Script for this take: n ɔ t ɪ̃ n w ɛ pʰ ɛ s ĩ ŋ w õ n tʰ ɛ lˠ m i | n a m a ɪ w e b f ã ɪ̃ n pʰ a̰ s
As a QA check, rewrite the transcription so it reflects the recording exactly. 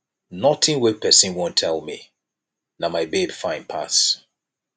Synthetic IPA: n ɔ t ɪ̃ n w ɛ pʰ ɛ s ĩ n w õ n tʰ ɛ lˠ m i | n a m a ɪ b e b f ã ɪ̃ n pʰ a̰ s